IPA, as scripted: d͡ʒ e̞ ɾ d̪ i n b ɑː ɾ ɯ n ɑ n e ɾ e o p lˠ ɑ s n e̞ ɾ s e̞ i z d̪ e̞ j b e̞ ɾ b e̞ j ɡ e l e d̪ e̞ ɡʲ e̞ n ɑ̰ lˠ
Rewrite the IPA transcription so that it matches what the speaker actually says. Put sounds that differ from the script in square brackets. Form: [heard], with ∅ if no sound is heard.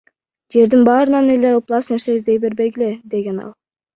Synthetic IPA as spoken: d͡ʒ e̞ ɾ d̪ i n b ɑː ɾ ɯ n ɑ n e [l] e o p lˠ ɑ s n e̞ ɾ s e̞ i z d̪ e̞ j b e̞ ɾ b e̞ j ɡ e l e d̪ e̞ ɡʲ e̞ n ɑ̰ lˠ